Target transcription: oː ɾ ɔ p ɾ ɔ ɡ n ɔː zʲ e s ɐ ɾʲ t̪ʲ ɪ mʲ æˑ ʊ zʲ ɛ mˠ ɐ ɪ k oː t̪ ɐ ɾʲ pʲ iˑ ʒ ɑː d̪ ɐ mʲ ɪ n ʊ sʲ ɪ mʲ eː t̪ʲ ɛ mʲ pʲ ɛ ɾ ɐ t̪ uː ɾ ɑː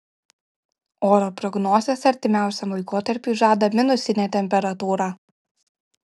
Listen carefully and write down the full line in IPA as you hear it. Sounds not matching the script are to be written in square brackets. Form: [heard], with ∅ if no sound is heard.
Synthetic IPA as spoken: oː ɾ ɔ p ɾ ɔ ɡ n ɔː zʲ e s ɐ ɾʲ t̪ʲ ɪ mʲ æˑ ʊ [sʲ] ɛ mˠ ɐ ɪ k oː t̪ ɐ ɾʲ pʲ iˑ ʒ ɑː d̪ ɐ mʲ ɪ n ʊ sʲ ɪ [nʲ] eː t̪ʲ ɛ mʲ pʲ ɛ ɾ ɐ t̪ uː ɾ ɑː

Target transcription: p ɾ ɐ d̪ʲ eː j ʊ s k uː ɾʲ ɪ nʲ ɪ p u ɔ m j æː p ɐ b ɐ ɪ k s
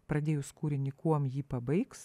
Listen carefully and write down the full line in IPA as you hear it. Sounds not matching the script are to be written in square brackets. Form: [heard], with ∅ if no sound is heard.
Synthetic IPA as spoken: p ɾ ɐ d̪ʲ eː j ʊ s k uː ɾʲ ɪ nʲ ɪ [k] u ɔ m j [iː] p ɐ b ɐ ɪ k s

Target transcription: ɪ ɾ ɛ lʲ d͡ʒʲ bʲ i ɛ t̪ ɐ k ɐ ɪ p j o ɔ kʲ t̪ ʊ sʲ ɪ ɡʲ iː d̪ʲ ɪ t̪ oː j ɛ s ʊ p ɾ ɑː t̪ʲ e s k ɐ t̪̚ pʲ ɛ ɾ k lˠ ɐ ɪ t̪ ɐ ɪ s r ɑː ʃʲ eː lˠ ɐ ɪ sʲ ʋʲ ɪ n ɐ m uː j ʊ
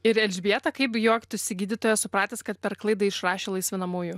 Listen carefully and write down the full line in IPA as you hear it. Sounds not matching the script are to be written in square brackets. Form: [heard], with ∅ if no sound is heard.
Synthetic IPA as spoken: ɪ ɾ ɛ lʲ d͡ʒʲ bʲ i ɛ t̪ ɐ k ɐ ɪ p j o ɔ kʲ t̪ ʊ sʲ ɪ ɡʲ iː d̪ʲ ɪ t̪ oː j ɛ s ʊ p ɾ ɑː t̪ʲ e s k ɐ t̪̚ pʲ ɛ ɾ k lˠ ɐ ɪ [d̪] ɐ ɪ [ʃ] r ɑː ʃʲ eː lˠ ɐ ɪ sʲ ʋʲ ɪ n ɐ m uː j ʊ

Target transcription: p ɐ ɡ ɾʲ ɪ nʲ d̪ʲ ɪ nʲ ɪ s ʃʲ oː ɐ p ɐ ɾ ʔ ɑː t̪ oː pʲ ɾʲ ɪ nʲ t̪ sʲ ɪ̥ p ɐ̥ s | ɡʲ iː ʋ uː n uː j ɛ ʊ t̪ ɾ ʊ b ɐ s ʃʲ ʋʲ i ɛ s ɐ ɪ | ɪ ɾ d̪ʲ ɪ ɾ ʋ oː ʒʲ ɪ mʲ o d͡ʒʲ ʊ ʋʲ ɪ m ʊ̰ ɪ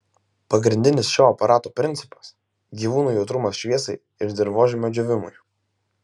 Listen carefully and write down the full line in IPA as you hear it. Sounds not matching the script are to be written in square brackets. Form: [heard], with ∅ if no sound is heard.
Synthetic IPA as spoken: p ɐ ɡ ɾʲ ɪ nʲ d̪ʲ ɪ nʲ ɪ s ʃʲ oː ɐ p ɐ ɾ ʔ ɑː t̪ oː pʲ ɾʲ ɪ nʲ t̪ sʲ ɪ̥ p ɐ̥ s | ɡʲ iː ʋ uː n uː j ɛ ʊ t̪ ɾ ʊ [m] ɐ s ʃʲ ʋʲ i ɛ s ɐ ɪ | ɪ ɾ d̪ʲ ɪ ɾ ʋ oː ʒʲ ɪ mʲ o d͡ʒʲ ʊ ʋʲ ɪ m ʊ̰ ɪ

